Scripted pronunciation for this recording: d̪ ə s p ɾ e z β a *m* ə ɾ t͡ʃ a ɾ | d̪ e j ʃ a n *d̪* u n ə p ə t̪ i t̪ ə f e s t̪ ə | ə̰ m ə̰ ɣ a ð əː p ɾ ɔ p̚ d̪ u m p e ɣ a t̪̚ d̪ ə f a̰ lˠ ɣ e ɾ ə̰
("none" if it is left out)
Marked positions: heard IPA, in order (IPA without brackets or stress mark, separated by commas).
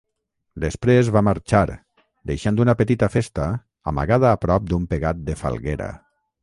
m, d̪